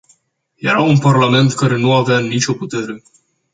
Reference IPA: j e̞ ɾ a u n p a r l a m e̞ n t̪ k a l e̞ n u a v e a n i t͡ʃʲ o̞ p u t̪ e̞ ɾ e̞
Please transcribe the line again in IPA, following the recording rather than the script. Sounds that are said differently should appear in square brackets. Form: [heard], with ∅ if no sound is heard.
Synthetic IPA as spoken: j e̞ ɾ a u n p a r l a m e̞ n t̪ k a [ɾ] e̞ n u a v e a n i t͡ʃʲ o̞ p u t̪ e̞ ɾ e̞

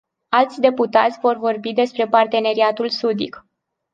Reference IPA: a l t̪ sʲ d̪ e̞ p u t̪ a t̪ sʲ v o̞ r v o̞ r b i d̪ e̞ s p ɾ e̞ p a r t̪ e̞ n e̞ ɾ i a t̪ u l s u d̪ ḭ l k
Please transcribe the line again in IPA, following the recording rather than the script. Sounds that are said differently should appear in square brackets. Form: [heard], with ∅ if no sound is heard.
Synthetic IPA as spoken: a l t̪ sʲ d̪ e̞ p u t̪ a t̪ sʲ v o̞ r v o̞ r b i d̪ e̞ s p ɾ e̞ p a r t̪ e̞ n e̞ ɾ i a t̪ u l s u d̪ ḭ [∅] k

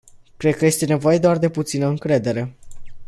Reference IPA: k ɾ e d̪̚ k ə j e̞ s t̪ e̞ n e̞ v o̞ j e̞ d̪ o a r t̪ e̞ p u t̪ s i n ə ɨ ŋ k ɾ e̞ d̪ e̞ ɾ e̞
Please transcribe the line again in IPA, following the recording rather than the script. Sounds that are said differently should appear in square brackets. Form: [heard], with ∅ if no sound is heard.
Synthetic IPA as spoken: k ɾ e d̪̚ k ə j e̞ s t̪ e̞ n e̞ v o̞ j e̞ d̪ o a r [d̪] e̞ p u t̪ s i n ə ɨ ŋ k ɾ e̞ d̪ e̞ ɾ e̞

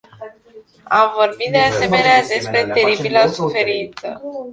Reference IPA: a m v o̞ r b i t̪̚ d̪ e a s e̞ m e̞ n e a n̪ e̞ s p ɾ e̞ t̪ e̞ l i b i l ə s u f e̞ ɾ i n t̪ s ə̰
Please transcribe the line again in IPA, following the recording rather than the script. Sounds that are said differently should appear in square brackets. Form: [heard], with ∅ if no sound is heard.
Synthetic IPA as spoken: a m v o̞ r b i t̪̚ d̪ e a s e̞ m e̞ n e a [d̪] e̞ s p ɾ e̞ t̪ e̞ [ɾ] i b i l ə s u f e̞ ɾ i n t̪ s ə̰

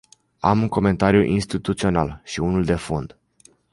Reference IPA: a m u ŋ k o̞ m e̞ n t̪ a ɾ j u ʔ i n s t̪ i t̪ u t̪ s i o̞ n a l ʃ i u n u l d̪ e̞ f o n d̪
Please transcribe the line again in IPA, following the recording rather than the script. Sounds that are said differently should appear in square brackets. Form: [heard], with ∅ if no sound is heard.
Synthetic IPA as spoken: a m u ŋ k o̞ m e̞ n t̪ a ɾ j u ʔ i n s t̪ i t̪ u t̪ s i o̞ n a l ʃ i u n u l d̪ e̞ f o n d̪

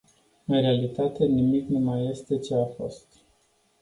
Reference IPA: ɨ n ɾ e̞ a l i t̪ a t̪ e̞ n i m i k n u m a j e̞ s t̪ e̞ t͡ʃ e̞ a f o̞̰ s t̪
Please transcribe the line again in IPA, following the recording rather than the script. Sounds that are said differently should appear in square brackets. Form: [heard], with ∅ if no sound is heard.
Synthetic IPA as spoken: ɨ n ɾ e̞ a l i t̪ a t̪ e̞ n i m i k n u m a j e̞ s t̪ e̞ t͡ʃ e̞ a f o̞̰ s t̪

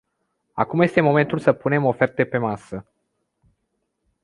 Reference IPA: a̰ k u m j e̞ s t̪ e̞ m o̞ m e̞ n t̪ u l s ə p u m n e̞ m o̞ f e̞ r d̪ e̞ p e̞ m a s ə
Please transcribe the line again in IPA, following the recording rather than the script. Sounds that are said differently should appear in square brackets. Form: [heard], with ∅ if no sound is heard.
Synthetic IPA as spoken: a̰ k u m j e̞ s t̪ e̞ m o̞ m e̞ n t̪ u l s ə p u [∅] n e̞ m o̞ f e̞ r [t̪] e̞ p e̞ m a s ə

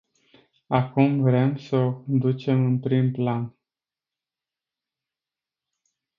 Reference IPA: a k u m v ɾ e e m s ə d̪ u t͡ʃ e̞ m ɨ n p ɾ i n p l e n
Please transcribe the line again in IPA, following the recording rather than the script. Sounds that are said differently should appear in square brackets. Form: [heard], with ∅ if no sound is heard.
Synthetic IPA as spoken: a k u m v ɾ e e m s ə d̪ u t͡ʃ e̞ m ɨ n p ɾ i [m] p l [a] n

